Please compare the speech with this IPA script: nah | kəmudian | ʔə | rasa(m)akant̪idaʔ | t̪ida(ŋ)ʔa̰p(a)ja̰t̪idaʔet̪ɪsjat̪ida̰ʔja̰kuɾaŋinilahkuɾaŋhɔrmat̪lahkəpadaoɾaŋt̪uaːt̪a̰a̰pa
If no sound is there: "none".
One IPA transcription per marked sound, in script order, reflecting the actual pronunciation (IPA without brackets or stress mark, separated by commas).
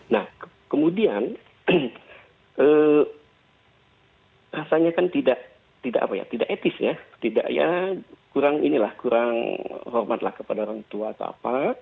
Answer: ɲ, none, a